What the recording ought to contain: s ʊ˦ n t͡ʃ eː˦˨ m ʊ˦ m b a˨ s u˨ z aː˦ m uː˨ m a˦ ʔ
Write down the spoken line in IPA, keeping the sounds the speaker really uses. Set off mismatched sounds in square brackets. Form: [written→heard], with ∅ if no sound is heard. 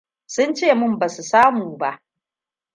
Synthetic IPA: s ʊ˦ n t͡ʃ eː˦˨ m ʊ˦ m b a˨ s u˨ [z→s] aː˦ m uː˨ [m→b] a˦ ʔ